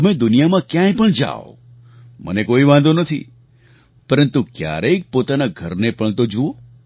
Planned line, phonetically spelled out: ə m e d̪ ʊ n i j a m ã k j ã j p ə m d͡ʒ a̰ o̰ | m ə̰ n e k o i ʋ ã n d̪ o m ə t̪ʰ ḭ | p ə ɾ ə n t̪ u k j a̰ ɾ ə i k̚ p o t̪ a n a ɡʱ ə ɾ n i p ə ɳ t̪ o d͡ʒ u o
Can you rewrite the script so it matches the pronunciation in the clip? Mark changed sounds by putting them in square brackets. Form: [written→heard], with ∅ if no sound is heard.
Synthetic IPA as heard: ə m e d̪ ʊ n i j a m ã k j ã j p ə [m→ɳ] d͡ʒ a̰ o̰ | m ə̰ n e k o i ʋ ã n d̪ o [m→n] ə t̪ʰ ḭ | p ə ɾ ə n t̪ u k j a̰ ɾ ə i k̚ p o t̪ a n a ɡʱ ə ɾ n [i→e] p ə ɳ t̪ o d͡ʒ u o